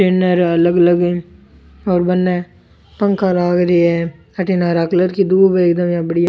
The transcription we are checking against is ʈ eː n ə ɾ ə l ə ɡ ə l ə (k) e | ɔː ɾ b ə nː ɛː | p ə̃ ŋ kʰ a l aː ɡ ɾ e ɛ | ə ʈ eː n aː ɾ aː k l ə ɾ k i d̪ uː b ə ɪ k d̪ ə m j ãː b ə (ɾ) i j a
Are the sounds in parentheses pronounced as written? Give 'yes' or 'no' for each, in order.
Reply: no, no

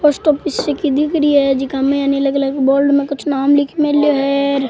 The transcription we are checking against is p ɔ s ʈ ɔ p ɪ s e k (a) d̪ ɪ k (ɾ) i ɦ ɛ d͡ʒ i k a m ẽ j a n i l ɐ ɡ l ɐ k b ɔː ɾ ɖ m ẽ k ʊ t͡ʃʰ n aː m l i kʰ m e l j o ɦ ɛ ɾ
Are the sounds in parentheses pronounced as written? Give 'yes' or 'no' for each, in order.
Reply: no, yes

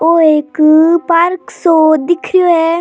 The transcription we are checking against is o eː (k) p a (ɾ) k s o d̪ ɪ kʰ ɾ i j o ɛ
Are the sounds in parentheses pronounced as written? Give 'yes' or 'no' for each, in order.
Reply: yes, yes

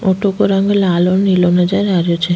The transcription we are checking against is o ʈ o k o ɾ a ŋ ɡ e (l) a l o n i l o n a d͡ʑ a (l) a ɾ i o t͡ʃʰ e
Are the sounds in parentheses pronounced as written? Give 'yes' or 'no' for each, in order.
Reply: yes, no

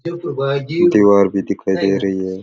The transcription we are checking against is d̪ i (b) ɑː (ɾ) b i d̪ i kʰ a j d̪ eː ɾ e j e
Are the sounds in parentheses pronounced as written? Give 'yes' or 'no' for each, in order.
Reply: no, yes

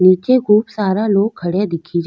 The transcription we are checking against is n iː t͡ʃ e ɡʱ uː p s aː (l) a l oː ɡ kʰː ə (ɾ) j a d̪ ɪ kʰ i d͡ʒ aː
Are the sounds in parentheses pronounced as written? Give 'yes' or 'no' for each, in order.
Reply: no, no

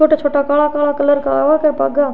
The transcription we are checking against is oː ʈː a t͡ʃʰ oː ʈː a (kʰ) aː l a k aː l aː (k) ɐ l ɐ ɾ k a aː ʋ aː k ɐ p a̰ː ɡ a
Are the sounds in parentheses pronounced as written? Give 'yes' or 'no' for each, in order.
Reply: no, yes

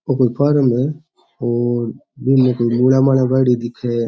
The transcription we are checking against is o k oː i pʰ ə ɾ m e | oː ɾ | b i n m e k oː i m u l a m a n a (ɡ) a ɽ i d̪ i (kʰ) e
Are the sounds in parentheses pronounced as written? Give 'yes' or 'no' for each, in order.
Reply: no, yes

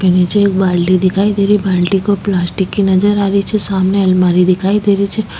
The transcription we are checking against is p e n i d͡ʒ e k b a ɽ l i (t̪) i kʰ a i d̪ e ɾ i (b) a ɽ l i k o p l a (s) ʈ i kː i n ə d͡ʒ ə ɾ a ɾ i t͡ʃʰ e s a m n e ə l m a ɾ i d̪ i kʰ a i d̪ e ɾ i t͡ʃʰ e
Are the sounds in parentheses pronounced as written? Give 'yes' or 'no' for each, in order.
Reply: no, yes, yes

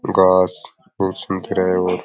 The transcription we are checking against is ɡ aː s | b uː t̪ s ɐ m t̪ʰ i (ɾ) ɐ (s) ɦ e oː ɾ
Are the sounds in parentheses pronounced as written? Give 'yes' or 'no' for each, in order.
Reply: yes, no

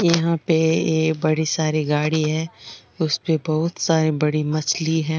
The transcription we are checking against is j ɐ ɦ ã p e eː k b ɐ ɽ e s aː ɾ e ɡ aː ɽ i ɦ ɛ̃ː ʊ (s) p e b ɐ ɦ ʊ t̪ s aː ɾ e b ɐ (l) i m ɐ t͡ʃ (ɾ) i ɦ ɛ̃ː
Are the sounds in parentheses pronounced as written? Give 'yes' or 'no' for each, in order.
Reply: yes, no, no

